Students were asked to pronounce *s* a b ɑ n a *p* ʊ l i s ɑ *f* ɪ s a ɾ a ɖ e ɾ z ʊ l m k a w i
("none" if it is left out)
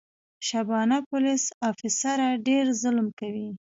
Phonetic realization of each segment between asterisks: ʃ, p, f

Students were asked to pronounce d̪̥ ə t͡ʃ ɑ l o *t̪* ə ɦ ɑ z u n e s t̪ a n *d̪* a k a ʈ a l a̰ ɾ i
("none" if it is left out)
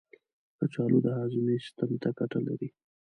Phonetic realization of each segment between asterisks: d̪, t̪

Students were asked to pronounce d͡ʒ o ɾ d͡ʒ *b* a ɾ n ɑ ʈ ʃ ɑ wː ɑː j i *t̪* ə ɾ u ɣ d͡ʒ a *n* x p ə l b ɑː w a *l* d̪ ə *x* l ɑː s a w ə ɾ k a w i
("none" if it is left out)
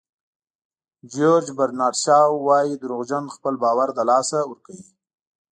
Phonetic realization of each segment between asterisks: b, d̪, n, ɾ, none

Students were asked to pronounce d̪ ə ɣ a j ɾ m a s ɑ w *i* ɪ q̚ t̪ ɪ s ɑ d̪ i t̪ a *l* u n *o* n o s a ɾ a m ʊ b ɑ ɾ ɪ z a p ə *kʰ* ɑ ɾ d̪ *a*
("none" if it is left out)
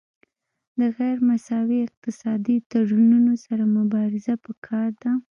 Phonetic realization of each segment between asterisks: i, ɽ, u, kʰ, a

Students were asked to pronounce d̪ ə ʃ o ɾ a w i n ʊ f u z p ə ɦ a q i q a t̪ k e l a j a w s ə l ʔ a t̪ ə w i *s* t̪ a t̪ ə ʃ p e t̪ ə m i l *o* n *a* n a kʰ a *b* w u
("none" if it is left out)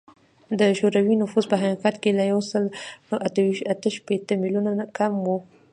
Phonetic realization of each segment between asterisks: ʃ, u, a, m

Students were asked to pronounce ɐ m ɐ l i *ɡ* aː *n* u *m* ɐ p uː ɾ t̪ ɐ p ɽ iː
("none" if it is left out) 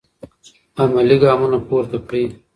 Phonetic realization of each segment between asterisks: ɡ, m, n

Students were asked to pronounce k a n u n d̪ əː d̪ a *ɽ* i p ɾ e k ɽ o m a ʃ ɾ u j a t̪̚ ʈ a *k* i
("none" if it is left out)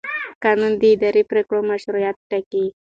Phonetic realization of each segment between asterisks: ɾ, k

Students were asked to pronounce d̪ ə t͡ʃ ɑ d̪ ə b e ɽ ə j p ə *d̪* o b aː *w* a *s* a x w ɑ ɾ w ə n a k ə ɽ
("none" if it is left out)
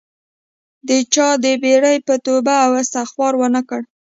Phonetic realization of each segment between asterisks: t̪, w, s

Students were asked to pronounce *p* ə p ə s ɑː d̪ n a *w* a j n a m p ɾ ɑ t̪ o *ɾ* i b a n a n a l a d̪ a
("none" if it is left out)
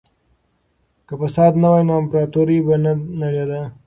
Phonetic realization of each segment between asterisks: k, w, ɾ

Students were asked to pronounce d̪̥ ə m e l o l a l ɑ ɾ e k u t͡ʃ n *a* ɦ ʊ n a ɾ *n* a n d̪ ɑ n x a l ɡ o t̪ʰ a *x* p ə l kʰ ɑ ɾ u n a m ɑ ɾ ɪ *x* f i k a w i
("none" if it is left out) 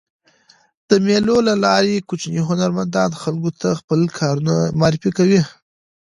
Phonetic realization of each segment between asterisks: i, m, x, none

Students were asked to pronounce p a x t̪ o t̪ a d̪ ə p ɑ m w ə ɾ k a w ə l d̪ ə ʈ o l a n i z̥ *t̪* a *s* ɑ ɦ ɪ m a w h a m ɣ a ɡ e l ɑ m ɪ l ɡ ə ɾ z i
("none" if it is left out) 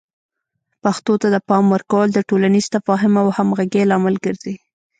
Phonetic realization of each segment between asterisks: t̪, f

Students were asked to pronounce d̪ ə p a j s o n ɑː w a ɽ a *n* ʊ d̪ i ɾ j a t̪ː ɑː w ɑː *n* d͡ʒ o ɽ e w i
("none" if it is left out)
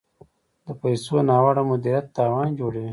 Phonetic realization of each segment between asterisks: m, n

